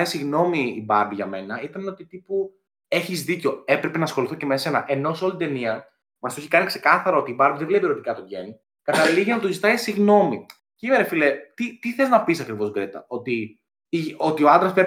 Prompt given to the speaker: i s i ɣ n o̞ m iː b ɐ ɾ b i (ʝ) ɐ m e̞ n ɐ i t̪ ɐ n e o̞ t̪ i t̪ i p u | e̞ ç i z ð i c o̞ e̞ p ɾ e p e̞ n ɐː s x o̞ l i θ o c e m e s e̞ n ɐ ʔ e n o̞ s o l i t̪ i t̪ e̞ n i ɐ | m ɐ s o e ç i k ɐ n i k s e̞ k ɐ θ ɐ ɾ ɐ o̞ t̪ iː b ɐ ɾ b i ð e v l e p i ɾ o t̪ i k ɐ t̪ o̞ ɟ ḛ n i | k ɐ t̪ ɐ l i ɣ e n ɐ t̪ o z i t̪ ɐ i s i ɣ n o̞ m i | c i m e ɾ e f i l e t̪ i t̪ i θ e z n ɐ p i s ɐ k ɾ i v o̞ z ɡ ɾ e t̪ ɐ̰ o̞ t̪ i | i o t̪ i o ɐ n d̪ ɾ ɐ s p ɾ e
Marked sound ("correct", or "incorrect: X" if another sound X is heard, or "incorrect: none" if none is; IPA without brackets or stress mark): correct